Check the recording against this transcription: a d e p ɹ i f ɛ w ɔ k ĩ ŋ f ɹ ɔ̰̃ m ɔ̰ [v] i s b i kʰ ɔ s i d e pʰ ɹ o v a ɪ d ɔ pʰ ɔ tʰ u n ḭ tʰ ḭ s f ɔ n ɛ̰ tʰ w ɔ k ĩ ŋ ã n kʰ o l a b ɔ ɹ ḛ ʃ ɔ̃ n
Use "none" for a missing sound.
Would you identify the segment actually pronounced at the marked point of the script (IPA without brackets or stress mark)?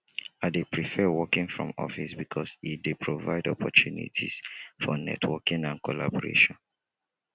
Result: f